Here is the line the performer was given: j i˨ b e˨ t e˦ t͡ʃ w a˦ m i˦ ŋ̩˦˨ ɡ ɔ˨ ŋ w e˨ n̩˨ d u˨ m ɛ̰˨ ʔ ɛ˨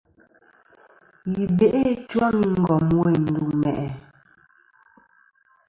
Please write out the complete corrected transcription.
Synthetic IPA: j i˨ b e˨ ʔ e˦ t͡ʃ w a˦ ŋ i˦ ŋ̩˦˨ ɡ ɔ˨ m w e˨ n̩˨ d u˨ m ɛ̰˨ ʔ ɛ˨